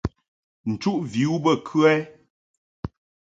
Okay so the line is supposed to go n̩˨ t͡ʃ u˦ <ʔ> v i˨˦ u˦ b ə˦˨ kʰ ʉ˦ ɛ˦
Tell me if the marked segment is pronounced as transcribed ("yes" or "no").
yes